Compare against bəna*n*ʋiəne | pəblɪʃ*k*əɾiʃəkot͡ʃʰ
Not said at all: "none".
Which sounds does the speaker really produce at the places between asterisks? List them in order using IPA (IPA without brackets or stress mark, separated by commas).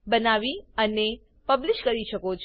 none, k